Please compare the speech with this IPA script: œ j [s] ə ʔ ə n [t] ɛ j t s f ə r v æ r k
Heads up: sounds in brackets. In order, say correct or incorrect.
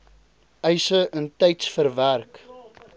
correct, correct

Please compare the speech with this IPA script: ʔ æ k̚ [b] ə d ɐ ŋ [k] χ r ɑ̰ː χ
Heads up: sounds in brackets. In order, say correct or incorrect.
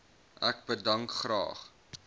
correct, correct

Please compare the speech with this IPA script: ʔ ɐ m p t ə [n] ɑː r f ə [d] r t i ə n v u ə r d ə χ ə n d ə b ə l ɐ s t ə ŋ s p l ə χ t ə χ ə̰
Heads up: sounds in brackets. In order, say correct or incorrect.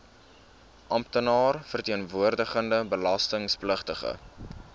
correct, incorrect: none

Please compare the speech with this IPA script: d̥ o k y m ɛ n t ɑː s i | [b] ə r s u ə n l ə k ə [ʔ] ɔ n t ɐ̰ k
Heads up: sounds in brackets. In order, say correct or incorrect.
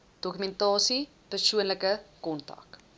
incorrect: p, incorrect: k

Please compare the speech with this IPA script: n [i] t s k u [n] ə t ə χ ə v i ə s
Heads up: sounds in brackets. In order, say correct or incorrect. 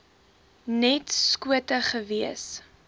incorrect: ɛ, incorrect: none

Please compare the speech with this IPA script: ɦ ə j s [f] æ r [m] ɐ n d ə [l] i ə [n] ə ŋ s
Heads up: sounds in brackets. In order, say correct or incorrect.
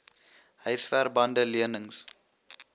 correct, incorrect: b, correct, correct

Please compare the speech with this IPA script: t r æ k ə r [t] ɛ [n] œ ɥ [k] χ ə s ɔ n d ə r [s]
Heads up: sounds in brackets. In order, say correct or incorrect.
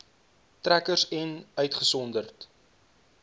incorrect: s, correct, incorrect: t, incorrect: t

